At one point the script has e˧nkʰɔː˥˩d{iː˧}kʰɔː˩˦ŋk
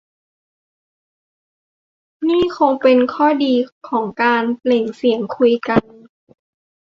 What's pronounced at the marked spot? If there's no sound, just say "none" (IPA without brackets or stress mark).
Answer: iː˧